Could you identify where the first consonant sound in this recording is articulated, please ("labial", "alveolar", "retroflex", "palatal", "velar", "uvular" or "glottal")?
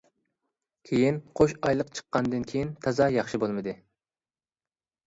velar